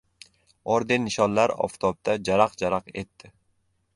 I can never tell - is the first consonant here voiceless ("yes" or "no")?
no